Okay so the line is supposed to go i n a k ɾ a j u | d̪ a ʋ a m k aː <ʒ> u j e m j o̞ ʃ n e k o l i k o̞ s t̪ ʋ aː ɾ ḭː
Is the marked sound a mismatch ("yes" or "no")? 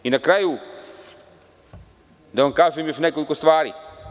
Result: yes